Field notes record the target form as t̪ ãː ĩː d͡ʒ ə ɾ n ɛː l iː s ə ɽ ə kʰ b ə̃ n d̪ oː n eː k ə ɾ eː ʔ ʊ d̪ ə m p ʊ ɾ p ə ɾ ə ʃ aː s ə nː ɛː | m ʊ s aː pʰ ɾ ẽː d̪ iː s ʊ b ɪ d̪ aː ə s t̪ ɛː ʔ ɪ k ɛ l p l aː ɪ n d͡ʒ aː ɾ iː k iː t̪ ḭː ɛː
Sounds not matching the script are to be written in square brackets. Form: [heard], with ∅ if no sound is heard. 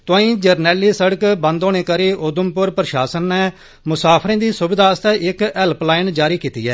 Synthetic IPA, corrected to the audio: t̪ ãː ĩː d͡ʒ ə ɾ n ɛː l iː s ə ɽ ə [k] b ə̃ n d̪ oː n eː k ə ɾ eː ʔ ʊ d̪ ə m p ʊ ɾ p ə ɾ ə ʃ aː s ə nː ɛː | m ʊ s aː pʰ ɾ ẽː d̪ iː s ʊ b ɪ d̪ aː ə s t̪ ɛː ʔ ɪ k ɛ l p l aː ɪ n d͡ʒ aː ɾ iː k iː t̪ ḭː ɛː